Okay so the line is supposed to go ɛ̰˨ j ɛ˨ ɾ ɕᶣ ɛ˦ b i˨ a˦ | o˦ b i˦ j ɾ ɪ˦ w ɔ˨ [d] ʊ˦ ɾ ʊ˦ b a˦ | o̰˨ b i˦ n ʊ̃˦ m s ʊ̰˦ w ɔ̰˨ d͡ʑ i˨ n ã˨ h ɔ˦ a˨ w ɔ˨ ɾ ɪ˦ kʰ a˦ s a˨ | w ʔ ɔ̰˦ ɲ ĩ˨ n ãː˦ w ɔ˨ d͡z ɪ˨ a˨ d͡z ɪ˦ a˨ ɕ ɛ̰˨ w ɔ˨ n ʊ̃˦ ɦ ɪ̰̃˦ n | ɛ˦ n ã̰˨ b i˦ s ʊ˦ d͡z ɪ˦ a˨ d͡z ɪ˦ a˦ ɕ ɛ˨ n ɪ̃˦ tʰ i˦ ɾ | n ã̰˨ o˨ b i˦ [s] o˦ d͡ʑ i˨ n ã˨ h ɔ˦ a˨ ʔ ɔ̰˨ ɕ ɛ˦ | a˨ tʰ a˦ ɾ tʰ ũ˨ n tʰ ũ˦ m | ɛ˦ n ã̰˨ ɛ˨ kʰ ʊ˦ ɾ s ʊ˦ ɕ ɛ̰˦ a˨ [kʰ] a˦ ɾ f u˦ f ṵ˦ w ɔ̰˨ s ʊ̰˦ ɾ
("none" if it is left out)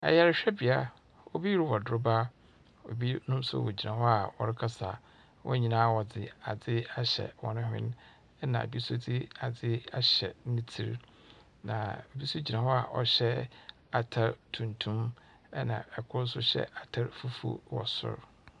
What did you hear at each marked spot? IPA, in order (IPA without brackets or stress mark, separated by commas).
d, s, tʰ